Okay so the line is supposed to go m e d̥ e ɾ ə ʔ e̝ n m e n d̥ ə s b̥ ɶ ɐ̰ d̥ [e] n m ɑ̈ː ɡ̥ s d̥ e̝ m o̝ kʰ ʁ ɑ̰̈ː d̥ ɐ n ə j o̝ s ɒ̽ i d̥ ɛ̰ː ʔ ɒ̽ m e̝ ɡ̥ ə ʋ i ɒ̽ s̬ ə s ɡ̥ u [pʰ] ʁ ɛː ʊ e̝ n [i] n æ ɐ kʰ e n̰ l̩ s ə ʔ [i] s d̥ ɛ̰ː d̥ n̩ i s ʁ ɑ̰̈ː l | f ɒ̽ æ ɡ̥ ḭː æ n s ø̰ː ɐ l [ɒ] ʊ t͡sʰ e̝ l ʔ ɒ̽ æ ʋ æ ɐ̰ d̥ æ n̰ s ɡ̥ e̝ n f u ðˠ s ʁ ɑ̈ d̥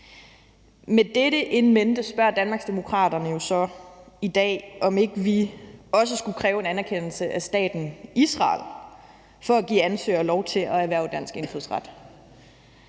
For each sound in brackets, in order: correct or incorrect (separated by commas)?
incorrect, incorrect, incorrect, incorrect, correct